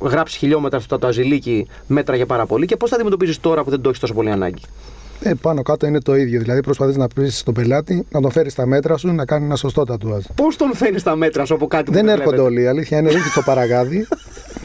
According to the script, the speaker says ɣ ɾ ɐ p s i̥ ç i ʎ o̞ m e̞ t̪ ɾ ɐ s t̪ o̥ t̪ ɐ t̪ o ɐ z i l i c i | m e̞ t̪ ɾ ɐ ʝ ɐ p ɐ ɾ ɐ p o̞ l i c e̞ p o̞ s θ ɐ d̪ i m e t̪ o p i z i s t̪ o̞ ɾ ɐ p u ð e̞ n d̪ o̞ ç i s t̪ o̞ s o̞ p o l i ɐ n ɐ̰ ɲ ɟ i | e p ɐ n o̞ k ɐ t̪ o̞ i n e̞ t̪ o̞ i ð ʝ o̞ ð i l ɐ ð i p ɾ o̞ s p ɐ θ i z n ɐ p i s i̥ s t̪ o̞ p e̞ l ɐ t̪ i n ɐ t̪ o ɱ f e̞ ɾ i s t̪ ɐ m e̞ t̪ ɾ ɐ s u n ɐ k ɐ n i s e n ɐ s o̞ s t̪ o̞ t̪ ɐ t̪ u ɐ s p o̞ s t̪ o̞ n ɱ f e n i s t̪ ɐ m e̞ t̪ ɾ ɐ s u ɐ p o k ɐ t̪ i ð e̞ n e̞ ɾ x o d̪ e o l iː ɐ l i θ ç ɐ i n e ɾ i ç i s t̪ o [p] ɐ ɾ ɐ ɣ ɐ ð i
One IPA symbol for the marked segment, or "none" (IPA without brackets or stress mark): p